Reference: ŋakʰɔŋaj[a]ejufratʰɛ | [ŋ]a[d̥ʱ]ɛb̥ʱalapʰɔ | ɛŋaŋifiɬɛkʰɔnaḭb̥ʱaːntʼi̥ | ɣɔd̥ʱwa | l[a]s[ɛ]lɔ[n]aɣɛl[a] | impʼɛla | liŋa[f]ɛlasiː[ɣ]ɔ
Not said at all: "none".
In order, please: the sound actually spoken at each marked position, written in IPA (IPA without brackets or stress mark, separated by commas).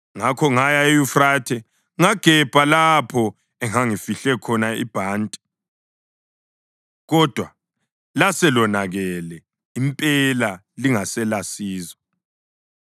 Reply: a, ŋ, ɡ̥ʱ, a, ɛ, n, ɛ, s, z